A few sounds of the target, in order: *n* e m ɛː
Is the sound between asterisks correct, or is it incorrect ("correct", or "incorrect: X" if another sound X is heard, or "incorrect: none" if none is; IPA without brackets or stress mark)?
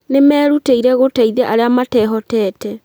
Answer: correct